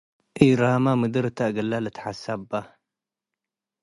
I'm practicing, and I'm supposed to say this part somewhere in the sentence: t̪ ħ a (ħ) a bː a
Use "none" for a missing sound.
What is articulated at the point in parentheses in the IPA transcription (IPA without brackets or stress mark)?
s